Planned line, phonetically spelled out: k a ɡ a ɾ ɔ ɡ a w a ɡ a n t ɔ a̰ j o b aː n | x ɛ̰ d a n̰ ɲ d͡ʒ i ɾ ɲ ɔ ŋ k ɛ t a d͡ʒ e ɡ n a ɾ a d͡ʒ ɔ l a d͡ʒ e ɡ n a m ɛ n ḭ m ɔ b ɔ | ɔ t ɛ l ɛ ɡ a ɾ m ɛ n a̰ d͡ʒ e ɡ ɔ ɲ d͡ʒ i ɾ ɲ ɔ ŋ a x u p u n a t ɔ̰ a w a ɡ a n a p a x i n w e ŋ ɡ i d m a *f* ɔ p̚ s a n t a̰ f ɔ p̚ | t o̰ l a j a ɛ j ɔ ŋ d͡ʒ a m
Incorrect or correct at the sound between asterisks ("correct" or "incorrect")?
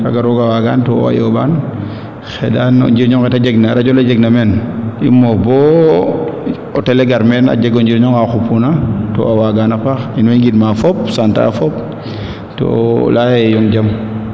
correct